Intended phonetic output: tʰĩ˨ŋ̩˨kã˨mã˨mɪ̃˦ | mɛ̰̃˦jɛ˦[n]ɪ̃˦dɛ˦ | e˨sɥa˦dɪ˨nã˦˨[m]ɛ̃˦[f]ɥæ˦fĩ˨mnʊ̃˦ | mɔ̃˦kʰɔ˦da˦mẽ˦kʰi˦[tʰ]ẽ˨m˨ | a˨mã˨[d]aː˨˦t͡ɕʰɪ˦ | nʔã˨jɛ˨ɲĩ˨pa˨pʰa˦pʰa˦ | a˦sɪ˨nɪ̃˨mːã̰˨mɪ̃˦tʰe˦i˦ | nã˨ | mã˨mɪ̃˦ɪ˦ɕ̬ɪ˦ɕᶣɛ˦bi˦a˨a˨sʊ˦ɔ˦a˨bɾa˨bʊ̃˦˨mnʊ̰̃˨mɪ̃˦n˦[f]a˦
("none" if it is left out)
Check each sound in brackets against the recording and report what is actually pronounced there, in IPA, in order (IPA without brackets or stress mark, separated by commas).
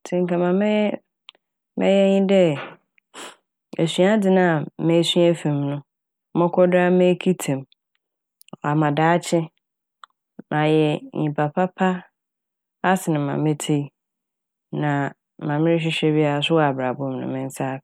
ɲ, m, s, tʰ, d, s